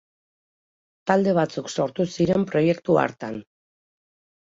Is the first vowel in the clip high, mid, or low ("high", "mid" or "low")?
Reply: low